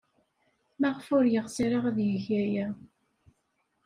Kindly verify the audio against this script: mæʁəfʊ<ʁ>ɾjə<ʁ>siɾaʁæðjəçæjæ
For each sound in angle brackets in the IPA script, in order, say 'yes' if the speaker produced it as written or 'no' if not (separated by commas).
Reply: no, yes